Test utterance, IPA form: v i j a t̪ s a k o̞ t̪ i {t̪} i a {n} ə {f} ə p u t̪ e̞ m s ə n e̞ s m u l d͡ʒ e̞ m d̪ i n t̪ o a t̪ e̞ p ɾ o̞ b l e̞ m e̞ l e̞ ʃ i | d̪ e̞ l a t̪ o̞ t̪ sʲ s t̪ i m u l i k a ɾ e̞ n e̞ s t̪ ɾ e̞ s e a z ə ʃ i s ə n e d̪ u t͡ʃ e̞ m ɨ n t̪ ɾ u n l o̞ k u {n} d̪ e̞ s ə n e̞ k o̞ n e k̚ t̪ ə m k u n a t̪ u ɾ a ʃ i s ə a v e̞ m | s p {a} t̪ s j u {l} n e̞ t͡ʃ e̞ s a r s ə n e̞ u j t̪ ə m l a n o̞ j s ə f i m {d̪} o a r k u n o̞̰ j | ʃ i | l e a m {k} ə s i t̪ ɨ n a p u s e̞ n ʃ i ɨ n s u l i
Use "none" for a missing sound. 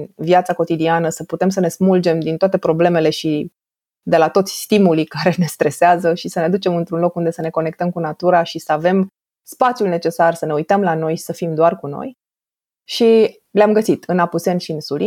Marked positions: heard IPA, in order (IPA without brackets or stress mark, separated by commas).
d̪, n, s, n, a, l, d̪, ɡ